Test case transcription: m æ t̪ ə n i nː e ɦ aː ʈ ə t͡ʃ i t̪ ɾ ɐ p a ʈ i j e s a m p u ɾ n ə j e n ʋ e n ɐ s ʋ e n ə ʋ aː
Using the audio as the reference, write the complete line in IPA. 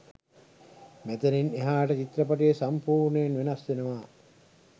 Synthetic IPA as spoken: m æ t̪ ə n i n e ɦ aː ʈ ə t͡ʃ i t̪ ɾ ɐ p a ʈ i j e s a m p uː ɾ n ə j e n ʋ e n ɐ s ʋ e n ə ʋ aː